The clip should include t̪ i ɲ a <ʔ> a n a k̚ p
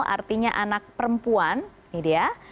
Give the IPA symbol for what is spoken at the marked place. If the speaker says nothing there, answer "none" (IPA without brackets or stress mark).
ʔ